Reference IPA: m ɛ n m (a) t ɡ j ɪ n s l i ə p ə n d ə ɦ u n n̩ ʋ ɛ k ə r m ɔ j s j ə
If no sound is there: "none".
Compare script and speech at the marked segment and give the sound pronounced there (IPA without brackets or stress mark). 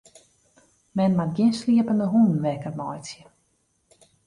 a